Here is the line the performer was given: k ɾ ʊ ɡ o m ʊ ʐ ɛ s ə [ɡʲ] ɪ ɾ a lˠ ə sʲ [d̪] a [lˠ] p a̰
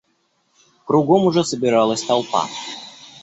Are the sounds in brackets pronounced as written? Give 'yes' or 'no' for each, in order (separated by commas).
no, no, yes